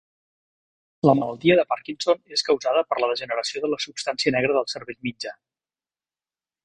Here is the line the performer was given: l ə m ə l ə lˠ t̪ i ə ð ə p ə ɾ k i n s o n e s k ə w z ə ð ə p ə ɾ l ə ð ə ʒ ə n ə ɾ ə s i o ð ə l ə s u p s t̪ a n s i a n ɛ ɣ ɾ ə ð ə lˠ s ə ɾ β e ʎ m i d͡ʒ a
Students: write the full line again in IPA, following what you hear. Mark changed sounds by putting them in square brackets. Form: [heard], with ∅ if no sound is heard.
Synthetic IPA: l ə m ə l ə lˠ t̪ i ə ð ə p [a] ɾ k i n s o n e s k ə w z [a] ð ə p ə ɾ l ə ð ə ʒ ə n ə ɾ ə s i o ð ə l ə s u p s t̪ a n s i [ə] n ɛ ɣ ɾ ə ð ə lˠ s ə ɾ β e ʎ m i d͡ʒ a